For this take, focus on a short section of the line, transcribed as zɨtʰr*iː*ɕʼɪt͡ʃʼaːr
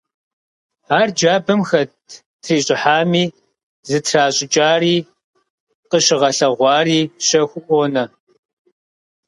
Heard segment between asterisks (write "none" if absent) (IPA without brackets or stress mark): aː